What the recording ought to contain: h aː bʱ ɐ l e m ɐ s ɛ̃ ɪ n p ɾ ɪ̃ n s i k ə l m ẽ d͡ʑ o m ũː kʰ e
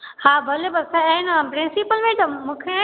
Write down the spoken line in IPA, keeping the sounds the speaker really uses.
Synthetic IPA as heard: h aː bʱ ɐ l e b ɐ s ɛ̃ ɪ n p ɾ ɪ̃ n s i p ə l m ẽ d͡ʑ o m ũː kʰ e